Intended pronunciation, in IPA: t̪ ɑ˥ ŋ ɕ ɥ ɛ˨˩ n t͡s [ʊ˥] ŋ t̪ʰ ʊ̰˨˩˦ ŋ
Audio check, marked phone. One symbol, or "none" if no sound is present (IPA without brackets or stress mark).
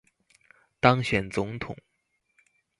ʊ˧˥